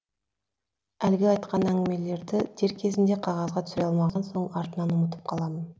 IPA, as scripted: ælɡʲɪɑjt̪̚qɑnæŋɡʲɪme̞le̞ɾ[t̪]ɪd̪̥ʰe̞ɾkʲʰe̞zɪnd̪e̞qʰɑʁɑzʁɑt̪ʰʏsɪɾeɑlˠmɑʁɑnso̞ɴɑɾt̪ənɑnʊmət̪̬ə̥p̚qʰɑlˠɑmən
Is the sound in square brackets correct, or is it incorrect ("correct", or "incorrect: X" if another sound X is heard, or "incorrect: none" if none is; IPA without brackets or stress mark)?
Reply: incorrect: d̪